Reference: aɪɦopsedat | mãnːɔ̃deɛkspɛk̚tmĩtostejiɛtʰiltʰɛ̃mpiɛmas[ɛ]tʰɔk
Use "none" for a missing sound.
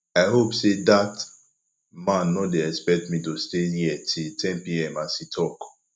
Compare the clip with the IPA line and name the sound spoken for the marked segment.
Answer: i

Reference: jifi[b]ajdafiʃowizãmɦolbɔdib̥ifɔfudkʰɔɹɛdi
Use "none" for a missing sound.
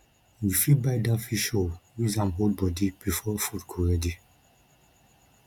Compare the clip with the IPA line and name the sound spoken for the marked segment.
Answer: b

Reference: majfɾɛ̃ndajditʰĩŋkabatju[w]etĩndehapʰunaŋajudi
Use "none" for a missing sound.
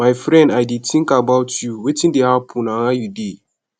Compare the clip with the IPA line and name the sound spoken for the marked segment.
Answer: w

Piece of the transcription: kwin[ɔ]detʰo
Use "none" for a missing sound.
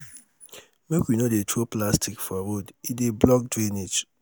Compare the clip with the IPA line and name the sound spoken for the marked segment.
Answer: o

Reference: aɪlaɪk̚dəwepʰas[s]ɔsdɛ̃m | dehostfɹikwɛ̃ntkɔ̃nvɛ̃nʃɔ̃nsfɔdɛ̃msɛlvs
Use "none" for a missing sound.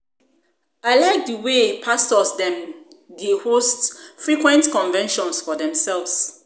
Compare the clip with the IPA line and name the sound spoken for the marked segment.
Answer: t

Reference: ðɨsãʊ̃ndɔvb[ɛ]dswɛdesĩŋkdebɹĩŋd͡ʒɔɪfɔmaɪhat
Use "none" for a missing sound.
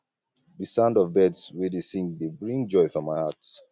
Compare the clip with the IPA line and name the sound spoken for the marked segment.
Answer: ɛ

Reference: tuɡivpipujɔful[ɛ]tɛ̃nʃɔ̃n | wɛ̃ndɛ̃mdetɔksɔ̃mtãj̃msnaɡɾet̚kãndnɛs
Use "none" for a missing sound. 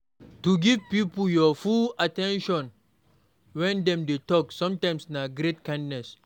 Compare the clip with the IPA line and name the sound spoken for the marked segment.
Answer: a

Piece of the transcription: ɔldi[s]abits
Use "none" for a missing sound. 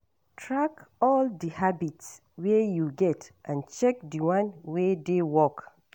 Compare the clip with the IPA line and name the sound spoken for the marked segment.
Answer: h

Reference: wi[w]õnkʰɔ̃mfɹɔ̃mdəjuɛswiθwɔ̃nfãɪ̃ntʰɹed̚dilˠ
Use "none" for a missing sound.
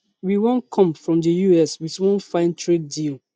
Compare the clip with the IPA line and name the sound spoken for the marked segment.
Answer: w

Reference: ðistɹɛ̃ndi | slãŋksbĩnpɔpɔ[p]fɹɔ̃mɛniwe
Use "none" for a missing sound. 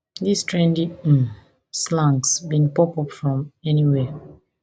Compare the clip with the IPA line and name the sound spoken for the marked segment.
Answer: p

